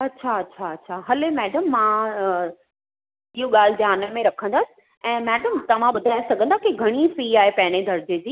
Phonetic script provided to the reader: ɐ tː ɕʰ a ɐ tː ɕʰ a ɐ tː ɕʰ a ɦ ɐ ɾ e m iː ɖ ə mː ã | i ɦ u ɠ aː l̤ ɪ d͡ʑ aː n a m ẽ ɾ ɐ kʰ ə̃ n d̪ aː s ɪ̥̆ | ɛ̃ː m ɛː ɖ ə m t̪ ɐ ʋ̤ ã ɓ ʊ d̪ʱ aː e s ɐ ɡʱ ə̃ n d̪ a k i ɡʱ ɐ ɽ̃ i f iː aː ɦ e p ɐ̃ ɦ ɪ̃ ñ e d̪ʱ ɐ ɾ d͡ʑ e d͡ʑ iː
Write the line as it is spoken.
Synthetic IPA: ɐ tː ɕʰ a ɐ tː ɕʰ a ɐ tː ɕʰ a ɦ ɐ l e m ɛː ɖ ə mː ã | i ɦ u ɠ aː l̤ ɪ d͡ʑ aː n ə m ẽ ɾ ɐ kʰ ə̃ n d̪ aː s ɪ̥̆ | ɛ̃ː m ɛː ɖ ə m t̪ ɐ ʋ̤ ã ɓ ʊ d̪ʱ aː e s ɐ ɡʱ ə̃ n d̪ a k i ɡʱ ɐ ɽ̃ i f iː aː ɦ e p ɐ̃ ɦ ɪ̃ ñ e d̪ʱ ɐ ɾ d͡ʑ e d͡ʑ iː